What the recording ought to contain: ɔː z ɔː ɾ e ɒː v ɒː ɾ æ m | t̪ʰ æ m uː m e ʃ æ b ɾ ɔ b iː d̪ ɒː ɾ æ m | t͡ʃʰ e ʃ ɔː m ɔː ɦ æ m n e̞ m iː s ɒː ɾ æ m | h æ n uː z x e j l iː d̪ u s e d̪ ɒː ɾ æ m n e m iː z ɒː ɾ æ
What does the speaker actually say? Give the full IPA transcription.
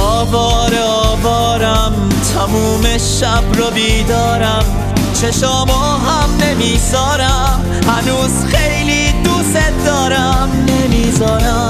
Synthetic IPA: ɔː v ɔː ɾ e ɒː v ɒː ɾ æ m | t̪ʰ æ m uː m e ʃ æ b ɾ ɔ b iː d̪ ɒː ɾ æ m | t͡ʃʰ e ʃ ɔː m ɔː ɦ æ m n e̞ m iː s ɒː ɾ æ m | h æ n uː z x e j l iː d̪ u s e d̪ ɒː ɾ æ m n e m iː z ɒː ɾ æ